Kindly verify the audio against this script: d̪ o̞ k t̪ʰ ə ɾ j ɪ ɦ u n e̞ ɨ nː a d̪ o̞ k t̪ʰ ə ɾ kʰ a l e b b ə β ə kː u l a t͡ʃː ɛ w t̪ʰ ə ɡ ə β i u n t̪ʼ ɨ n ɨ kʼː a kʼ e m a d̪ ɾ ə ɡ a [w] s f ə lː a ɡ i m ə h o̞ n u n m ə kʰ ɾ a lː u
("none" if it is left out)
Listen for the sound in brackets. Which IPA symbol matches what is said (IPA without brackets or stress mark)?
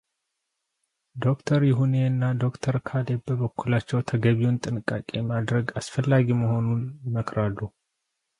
none